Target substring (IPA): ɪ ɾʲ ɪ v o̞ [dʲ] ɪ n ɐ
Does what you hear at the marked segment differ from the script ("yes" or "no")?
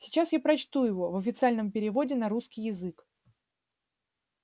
no